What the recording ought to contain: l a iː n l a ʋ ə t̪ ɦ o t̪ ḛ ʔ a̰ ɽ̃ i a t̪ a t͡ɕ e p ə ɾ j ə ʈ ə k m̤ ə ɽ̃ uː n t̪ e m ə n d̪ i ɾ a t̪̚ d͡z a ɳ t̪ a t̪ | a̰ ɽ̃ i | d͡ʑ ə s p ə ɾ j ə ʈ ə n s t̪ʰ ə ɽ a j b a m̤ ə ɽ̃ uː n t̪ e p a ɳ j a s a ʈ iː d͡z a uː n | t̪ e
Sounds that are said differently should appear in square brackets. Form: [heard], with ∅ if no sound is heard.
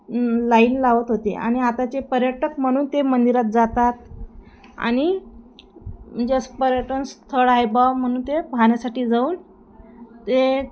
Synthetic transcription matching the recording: l a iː n l a ʋ ə t̪ ɦ o t̪ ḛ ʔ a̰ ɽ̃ i a t̪ a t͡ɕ e p ə ɾ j ə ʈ ə k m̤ ə ɽ̃ uː n t̪ e m ə n d̪ i ɾ a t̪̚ d͡z a [∅] t̪ a t̪ | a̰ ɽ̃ i | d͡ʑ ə s p ə ɾ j ə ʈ ə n s t̪ʰ ə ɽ a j b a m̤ ə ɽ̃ uː n t̪ e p a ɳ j a s a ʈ iː d͡z a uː n | t̪ e